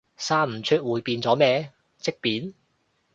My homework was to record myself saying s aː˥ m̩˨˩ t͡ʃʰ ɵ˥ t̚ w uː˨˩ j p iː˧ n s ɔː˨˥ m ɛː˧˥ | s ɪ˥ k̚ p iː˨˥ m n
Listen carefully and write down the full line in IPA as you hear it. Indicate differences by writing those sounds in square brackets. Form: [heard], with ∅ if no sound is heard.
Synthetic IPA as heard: s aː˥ m̩˨˩ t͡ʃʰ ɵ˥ t̚ w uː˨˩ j p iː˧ n [t͡s] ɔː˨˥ m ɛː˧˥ | [t͡s] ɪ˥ k̚ p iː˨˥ [∅] n

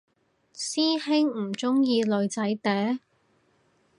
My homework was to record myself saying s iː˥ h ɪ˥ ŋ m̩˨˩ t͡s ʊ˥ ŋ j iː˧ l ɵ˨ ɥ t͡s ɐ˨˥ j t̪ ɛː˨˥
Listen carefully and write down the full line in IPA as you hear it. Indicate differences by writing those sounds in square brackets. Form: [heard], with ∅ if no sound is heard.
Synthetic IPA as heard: s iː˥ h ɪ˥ ŋ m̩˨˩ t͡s ʊ˥ ŋ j iː˧ l ɵ˨ ɥ t͡s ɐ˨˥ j t̪ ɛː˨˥

